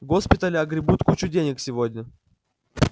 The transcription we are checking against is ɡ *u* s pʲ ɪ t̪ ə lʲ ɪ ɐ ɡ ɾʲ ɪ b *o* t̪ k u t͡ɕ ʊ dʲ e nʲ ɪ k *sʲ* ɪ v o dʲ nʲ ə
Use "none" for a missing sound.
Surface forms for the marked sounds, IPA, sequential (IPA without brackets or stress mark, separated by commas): o, u, sʲ